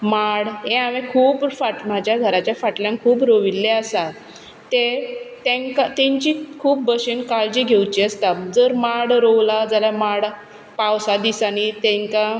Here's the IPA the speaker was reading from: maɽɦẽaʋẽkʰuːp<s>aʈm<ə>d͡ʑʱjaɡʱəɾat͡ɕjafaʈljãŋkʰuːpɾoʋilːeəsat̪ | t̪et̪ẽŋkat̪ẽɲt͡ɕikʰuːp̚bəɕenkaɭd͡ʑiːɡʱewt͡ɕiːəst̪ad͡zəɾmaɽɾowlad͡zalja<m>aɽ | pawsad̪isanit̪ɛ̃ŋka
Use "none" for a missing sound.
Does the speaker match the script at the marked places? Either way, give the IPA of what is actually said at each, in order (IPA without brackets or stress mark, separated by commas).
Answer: f, a, m